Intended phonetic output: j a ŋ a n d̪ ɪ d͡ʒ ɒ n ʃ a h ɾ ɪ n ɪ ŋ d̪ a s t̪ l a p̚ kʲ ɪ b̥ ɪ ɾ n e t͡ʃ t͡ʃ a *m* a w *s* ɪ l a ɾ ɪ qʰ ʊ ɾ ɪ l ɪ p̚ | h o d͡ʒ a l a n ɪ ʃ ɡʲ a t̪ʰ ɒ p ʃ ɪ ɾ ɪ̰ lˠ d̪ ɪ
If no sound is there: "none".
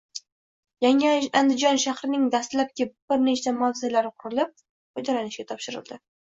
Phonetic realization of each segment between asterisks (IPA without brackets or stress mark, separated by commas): m, z